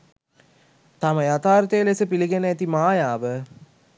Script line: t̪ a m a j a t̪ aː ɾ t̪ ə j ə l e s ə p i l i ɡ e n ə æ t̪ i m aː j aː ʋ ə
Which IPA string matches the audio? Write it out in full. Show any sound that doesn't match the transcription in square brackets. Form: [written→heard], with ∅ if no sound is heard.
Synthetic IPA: t̪ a m [a→ə] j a t̪ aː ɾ t̪ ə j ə l e s ə p i l i ɡ e n ə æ t̪ i m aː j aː ʋ ə